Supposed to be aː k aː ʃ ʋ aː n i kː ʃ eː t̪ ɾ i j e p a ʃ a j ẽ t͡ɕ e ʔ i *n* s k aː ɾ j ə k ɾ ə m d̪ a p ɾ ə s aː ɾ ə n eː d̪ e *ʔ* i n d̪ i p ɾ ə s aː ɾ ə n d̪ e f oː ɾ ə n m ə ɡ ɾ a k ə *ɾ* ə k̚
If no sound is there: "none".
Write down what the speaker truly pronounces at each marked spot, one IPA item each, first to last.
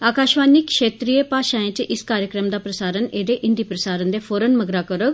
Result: none, ʔ, ɾ

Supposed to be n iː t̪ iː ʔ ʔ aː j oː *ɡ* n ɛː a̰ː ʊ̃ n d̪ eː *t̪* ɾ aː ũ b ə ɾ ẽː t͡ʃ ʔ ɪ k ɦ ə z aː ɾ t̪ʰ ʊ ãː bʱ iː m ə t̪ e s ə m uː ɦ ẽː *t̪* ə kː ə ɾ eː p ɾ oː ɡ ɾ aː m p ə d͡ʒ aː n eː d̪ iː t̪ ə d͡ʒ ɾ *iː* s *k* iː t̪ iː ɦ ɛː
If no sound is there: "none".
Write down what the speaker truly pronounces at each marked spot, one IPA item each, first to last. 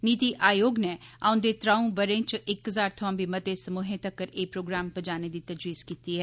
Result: ɡ, t̪, t̪, iː, k

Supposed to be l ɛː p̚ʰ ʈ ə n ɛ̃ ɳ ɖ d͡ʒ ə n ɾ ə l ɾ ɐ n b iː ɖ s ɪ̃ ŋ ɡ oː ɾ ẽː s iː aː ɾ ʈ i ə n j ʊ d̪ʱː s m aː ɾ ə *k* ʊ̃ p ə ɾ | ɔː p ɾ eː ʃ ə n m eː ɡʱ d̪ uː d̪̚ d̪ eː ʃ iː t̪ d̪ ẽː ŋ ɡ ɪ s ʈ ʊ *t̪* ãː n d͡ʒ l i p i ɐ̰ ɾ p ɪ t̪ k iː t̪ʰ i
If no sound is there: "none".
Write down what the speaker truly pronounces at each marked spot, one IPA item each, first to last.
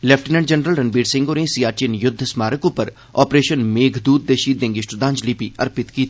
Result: k, d̪

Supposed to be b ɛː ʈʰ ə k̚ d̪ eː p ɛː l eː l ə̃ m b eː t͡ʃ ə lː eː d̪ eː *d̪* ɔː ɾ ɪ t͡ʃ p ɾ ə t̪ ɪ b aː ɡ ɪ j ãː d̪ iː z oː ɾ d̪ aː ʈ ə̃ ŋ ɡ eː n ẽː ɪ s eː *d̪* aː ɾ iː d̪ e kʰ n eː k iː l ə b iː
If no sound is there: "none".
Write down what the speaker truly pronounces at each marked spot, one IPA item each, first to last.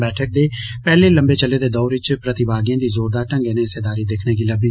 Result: d̪, d̪

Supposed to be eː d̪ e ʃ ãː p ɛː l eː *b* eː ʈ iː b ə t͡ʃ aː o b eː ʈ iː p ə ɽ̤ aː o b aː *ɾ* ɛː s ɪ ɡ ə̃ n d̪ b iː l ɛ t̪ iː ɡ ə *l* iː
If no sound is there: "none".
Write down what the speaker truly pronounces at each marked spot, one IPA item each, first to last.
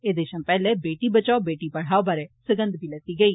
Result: b, ɾ, none

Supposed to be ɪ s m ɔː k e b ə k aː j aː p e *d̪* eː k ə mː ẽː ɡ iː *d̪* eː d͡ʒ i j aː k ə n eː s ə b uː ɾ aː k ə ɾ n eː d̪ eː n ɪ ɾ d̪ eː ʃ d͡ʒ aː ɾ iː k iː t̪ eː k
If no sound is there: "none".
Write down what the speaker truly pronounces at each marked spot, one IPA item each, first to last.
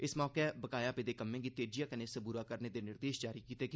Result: d̪, t̪

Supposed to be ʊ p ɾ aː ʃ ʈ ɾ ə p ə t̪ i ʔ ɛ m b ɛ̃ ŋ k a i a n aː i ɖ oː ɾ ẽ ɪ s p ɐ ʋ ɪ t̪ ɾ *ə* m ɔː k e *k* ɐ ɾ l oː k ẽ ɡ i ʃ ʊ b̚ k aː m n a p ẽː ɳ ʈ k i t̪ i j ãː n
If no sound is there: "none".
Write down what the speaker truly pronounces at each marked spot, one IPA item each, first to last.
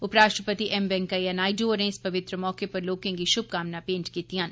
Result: ə, p

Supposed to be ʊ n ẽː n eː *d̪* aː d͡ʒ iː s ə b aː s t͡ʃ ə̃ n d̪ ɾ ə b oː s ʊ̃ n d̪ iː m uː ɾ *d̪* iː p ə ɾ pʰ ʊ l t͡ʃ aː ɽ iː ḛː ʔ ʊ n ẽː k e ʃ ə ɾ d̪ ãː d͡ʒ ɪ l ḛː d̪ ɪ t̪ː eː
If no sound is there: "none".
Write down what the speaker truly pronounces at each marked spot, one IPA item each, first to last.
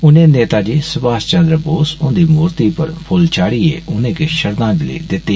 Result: t̪, t̪

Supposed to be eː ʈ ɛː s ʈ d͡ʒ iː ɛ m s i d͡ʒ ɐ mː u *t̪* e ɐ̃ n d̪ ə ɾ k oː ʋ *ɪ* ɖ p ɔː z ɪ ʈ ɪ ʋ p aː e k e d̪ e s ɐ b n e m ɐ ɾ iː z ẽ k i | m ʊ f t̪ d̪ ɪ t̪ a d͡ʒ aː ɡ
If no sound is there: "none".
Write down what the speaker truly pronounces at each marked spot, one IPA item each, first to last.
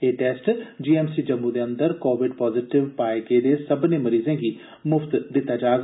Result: d̪, ɪ

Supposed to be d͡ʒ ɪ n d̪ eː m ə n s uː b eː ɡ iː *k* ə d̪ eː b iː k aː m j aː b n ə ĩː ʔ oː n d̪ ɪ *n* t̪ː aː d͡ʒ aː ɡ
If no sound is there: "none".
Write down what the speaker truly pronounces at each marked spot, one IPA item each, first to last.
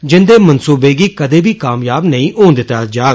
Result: k, none

